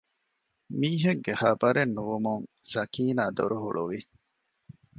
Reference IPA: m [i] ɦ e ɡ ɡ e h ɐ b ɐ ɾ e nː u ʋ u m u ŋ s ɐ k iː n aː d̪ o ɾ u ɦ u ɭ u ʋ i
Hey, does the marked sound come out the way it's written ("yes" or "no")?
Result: no